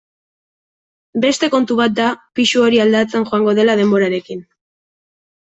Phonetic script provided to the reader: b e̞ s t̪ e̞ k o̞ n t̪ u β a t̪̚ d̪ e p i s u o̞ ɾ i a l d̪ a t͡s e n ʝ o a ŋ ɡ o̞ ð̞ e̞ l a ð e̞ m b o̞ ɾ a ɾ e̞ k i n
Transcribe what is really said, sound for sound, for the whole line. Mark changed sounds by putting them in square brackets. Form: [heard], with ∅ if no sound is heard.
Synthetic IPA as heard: b e̞ s t̪ e̞ k o̞ n t̪ u β a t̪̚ d̪ [a] p i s u o̞ ɾ i a l d̪ a t͡s e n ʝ o a ŋ ɡ o̞ ð̞ e̞ l a ð e̞ m b o̞ ɾ a ɾ e̞ k i n

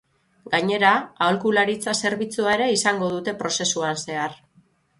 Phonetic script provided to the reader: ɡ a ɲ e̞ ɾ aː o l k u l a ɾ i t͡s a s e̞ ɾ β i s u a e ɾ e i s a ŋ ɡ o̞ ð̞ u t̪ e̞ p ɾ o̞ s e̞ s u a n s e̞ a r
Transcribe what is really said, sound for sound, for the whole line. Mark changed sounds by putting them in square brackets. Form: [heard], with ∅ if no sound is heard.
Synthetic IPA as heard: ɡ a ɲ e̞ ɾ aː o l k u l a ɾ i t͡s a s e̞ ɾ β i [t͡s] u a e ɾ e i s a ŋ ɡ o̞ ð̞ u t̪ e̞ p ɾ o̞ s e̞ s u a n s e̞ a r

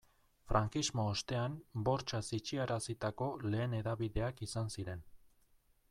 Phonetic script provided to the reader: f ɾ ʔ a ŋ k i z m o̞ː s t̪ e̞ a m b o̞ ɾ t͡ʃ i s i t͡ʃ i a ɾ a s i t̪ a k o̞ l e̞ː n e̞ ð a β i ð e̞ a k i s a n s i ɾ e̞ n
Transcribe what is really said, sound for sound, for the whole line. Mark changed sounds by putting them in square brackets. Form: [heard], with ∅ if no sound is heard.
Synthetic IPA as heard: f ɾ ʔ a ŋ k i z m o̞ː s t̪ e̞ a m b o̞ ɾ t͡ʃ [a] s i t͡ʃ i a ɾ a s i t̪ a k o̞ l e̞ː n e̞ ð a β i ð e̞ a k i s a n s i ɾ e̞ n

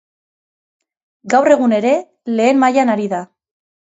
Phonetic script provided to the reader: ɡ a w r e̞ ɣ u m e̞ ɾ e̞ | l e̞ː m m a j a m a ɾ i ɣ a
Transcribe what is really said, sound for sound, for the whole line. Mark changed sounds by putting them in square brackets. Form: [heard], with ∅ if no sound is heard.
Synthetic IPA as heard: ɡ a w r e̞ ɣ u [n] e̞ ɾ e̞ | l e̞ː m m a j a [n] a ɾ i [ð] a

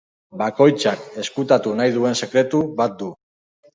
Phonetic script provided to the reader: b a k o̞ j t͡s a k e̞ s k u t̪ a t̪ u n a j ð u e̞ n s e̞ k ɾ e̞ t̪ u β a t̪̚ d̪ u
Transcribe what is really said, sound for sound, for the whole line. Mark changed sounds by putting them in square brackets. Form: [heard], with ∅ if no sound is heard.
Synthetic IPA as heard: b a k o̞ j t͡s a k e̞ s k u t̪ a t̪ u n a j ð u e̞ n s e̞ k ɾ e̞ t̪ u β a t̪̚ d̪ u

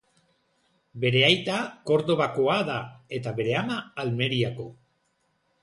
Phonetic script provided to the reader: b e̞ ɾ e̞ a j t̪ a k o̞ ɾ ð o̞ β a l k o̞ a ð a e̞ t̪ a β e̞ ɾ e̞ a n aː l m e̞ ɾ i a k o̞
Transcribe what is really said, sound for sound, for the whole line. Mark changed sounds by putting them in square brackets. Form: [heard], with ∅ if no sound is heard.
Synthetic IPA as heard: b e̞ ɾ e̞ a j t̪ a k o̞ ɾ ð o̞ β a [∅] k o̞ a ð a e̞ t̪ a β e̞ ɾ e̞ a [m] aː l m e̞ ɾ i a k o̞

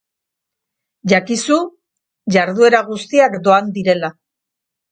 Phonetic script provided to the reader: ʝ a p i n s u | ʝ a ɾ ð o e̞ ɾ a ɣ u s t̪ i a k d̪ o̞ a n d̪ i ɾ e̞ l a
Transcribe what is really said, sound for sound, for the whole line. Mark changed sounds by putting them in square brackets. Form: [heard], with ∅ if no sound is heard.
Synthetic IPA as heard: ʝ a [k] i [∅] s u | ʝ a ɾ ð [u] e̞ ɾ a ɣ u s t̪ i a k d̪ o̞ a n d̪ i ɾ e̞ l a

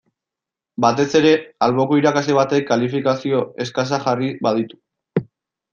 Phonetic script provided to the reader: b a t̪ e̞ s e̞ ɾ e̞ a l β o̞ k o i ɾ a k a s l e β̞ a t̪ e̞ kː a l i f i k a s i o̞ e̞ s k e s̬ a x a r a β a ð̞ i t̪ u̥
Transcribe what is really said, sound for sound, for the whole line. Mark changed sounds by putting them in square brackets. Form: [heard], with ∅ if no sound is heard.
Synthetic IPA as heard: b a t̪ e̞ s e̞ ɾ e̞ a l β o̞ k o i ɾ a k a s l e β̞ a t̪ e̞ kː a l i f i k a s i o̞ e̞ s k [a] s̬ a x a r [i] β a ð̞ i t̪ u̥

